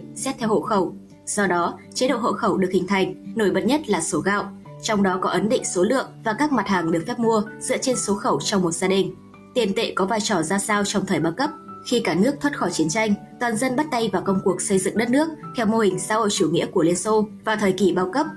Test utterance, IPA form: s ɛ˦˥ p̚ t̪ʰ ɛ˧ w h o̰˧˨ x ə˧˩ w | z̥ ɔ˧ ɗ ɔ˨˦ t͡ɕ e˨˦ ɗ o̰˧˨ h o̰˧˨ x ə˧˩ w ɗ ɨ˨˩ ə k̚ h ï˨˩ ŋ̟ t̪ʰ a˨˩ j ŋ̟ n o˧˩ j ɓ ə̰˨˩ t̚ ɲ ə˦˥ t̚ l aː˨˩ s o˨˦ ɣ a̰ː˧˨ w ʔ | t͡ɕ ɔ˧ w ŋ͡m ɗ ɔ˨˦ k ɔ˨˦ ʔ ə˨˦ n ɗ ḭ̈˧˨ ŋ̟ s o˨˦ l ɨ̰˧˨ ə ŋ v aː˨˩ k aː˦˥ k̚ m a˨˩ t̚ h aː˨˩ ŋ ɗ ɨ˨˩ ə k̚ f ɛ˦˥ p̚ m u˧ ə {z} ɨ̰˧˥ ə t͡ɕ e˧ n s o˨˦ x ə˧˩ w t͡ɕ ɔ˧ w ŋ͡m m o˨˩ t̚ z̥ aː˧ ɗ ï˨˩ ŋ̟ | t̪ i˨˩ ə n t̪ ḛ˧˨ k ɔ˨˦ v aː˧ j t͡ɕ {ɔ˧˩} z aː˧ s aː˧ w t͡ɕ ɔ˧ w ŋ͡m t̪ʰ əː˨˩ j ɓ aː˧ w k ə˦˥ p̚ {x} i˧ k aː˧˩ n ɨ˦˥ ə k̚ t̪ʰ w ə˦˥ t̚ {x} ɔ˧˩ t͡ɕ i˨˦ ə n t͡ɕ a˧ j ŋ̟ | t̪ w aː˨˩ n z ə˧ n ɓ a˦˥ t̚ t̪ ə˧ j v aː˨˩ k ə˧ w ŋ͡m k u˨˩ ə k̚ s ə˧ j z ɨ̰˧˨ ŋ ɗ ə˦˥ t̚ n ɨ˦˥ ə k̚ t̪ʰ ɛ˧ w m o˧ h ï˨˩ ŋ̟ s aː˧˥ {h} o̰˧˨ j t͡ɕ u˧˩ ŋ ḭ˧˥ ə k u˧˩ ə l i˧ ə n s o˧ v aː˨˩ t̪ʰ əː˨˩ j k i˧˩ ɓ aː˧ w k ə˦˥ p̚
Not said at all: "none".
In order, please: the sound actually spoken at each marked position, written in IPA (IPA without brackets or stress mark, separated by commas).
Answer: z, ɔ˧˩, x, x, h